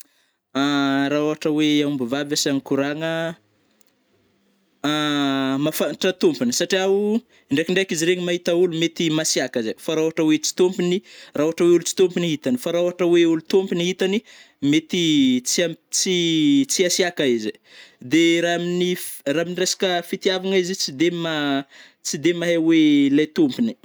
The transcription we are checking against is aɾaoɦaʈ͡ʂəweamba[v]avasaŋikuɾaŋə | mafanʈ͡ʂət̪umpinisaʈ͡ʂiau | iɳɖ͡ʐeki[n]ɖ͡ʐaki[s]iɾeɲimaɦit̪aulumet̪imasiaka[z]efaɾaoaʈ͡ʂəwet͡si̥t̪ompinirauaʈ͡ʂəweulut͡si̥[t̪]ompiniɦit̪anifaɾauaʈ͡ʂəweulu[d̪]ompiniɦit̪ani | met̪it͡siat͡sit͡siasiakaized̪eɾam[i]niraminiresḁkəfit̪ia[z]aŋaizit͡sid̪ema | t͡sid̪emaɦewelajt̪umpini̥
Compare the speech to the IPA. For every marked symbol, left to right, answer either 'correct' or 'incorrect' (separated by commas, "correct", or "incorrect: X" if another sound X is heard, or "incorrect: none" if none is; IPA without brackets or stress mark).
correct, incorrect: ɳ, incorrect: z, correct, correct, incorrect: t̪, correct, incorrect: v